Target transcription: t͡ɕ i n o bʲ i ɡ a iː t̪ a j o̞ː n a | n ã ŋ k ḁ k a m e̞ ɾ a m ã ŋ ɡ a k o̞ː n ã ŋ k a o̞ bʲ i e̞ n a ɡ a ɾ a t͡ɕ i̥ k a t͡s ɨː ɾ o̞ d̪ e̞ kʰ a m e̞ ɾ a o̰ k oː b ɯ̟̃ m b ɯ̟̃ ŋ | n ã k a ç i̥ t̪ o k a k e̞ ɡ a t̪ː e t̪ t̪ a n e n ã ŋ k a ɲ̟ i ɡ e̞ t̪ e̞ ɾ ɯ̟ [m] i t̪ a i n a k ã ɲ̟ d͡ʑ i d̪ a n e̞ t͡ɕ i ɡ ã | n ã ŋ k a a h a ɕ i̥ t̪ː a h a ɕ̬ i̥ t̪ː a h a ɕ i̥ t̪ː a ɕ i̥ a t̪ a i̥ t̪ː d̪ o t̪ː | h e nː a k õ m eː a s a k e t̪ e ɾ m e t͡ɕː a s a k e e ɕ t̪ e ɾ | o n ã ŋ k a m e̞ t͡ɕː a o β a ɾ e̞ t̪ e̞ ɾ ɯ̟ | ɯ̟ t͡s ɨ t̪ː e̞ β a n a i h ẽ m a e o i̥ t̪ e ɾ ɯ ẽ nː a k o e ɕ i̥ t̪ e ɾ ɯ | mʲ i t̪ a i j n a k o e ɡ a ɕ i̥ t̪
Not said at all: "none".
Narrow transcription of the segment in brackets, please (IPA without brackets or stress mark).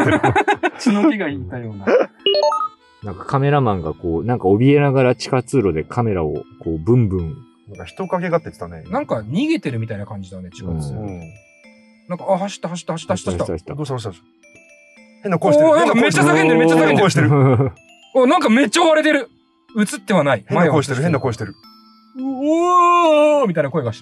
m